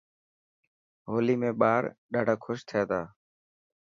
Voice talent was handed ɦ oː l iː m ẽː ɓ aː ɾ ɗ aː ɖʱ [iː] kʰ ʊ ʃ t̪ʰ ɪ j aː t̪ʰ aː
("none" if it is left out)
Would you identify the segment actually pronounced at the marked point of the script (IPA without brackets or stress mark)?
aː